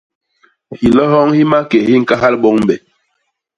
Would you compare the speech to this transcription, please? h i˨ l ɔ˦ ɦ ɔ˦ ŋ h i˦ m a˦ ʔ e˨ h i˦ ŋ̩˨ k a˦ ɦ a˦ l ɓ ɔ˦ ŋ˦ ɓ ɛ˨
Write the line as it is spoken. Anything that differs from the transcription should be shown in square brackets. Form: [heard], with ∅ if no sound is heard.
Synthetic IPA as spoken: h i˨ l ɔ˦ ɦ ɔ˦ ŋ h i˦ m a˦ [k] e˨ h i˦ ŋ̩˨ k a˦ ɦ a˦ l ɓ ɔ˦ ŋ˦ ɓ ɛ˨